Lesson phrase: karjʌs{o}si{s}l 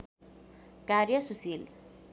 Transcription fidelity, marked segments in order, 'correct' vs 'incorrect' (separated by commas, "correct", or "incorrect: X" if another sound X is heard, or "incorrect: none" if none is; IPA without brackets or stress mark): incorrect: u, incorrect: none